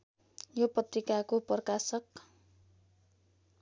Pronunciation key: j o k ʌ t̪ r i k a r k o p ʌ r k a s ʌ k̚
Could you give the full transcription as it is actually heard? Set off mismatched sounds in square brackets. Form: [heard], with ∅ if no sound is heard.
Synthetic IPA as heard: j o [p] ʌ t̪ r i k a [∅] k o p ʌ r k a s ʌ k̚